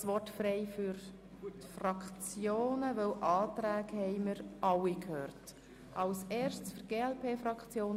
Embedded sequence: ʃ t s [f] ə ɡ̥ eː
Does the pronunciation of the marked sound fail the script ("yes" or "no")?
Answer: no